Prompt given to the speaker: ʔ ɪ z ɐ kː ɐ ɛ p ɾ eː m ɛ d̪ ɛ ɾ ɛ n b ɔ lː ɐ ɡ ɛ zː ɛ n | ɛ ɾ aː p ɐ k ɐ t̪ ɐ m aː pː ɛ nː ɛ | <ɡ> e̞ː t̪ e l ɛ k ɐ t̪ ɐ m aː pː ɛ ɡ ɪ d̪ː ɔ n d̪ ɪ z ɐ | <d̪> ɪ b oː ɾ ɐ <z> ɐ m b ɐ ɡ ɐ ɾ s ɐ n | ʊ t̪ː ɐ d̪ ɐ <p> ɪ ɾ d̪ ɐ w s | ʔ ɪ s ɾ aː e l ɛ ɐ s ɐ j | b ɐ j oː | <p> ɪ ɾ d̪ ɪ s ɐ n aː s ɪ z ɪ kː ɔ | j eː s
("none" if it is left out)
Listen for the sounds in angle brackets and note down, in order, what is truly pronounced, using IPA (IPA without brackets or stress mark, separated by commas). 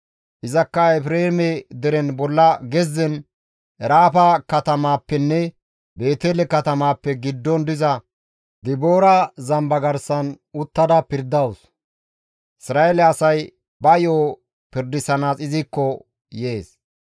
b, d̪, z, p, p